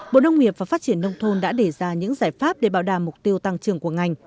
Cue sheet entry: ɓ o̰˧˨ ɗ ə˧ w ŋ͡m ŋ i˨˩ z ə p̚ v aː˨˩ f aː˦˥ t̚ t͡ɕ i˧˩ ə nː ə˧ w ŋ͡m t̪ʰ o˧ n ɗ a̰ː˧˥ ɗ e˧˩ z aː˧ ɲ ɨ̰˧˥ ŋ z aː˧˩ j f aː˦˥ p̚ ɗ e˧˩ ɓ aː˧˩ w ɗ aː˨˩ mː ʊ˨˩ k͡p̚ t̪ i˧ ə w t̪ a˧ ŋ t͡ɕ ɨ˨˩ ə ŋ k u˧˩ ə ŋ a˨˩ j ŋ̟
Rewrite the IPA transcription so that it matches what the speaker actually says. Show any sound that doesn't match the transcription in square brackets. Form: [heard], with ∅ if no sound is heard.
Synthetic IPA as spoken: ɓ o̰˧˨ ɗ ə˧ w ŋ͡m ŋ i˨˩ [∅] ə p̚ v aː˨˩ f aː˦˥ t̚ t͡ɕ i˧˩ ə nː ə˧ w ŋ͡m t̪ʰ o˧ n ɗ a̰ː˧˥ ɗ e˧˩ z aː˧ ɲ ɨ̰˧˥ ŋ z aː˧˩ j f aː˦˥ p̚ ɗ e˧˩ ɓ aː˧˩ w ɗ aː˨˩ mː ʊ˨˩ k͡p̚ t̪ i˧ ə w t̪ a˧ ŋ t͡ɕ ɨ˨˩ ə ŋ k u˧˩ ə ŋ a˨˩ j ŋ̟